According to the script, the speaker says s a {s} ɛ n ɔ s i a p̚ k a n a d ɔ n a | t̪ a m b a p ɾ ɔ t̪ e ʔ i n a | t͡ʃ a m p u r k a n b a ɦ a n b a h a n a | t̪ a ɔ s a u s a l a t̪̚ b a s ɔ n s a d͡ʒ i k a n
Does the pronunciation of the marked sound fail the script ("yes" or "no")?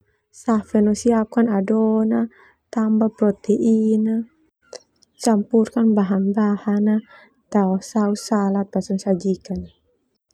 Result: yes